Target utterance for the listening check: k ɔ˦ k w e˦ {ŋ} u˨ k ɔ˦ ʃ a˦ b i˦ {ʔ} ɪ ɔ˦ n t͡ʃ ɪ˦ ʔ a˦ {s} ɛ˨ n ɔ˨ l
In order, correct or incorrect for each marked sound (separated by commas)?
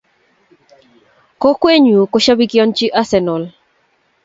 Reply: incorrect, incorrect, correct